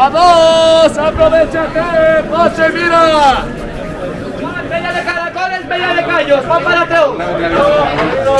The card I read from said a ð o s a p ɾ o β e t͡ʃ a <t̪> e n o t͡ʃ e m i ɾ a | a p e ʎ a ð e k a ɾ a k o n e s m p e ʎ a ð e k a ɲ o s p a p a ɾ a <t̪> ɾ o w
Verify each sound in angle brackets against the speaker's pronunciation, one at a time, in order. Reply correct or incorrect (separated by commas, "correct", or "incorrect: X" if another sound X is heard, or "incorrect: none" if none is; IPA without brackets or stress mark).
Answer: correct, correct